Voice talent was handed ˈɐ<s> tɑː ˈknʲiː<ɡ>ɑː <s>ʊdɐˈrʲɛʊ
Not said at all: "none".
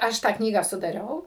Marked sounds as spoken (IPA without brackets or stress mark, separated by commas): ʃ, ɡ, s